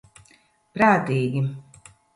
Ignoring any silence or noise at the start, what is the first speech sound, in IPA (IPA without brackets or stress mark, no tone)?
p